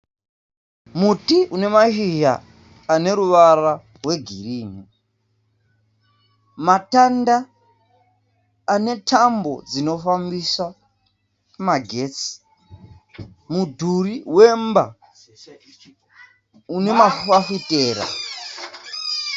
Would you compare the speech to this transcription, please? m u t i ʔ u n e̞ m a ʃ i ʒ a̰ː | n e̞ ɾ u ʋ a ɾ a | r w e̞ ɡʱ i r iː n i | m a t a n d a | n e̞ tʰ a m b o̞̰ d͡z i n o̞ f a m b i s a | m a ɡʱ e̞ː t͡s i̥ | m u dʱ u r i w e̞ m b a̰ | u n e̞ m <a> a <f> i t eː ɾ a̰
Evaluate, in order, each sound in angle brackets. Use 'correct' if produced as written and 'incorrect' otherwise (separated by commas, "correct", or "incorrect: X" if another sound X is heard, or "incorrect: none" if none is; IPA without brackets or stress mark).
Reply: correct, correct